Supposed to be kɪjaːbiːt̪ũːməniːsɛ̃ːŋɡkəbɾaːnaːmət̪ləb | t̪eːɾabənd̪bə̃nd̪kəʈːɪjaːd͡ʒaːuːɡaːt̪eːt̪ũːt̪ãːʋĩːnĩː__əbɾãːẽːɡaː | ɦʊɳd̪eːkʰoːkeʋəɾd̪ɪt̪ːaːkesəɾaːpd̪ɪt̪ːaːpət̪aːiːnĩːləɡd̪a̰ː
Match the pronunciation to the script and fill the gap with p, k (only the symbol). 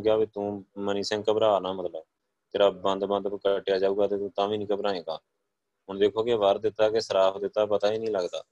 k